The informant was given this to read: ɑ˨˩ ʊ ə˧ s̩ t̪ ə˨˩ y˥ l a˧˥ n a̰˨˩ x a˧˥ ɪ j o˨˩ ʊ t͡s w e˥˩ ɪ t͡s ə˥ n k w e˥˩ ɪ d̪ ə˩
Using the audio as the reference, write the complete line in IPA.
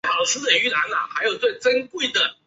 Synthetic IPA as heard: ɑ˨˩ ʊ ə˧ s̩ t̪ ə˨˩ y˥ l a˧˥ n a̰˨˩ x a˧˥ ɪ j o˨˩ ʊ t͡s w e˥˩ ɪ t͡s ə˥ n k w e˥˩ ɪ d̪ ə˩